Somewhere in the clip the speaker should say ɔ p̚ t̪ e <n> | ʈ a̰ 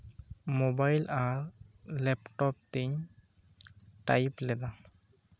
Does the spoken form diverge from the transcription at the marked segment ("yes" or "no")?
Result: yes